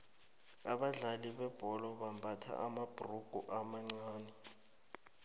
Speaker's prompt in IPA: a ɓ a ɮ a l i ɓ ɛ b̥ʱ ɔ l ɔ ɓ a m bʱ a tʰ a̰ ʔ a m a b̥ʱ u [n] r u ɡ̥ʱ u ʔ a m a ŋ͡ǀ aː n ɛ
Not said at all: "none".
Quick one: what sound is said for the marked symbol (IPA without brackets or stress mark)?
none